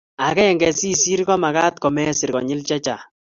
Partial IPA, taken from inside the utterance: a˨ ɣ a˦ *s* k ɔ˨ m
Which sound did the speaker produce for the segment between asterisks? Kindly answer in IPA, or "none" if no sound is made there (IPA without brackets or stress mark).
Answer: t